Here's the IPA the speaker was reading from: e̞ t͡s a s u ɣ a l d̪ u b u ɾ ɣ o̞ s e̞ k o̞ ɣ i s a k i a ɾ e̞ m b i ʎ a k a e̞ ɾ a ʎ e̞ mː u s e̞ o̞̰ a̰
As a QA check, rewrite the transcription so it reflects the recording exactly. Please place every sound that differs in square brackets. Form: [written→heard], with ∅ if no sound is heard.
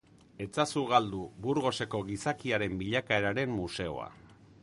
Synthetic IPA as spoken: e̞ t͡s a s u ɣ a l d̪ u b u ɾ ɣ o̞ s e̞ k o̞ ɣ i s a k i a ɾ e̞ m b i ʎ a k a e̞ ɾ a [ʎ→ɾ] e̞ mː u s e̞ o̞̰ a̰